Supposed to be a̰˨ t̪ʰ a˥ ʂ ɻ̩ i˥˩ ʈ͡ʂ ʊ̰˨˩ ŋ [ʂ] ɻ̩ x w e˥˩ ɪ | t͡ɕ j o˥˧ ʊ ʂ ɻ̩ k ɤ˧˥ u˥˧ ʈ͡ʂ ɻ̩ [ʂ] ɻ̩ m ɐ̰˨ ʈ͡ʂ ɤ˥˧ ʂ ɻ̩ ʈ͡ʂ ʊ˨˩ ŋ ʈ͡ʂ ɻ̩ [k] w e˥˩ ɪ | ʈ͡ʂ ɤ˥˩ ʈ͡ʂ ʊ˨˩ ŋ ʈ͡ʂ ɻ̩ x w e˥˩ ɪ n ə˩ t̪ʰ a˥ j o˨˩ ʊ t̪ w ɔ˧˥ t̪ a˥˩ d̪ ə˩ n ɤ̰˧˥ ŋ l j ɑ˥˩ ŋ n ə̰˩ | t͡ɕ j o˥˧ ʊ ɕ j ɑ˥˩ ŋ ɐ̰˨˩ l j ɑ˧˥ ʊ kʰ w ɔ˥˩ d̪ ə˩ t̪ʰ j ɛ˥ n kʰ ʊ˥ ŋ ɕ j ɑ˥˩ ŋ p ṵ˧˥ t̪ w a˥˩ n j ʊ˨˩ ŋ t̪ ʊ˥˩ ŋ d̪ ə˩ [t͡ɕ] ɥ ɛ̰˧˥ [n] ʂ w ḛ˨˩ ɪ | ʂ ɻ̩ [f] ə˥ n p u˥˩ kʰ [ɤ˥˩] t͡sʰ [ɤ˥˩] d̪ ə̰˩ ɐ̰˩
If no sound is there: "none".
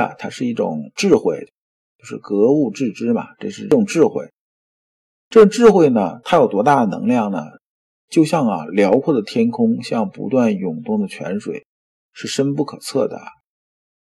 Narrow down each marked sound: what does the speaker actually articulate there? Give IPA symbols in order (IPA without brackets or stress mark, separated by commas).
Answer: ʈ͡ʂ, ʈ͡ʂ, x, t͡ɕʰ, n, ʂ, ɤ˨˩, ɤ˥˩